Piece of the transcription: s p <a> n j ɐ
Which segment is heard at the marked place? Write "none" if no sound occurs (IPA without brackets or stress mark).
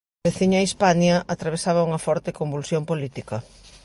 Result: a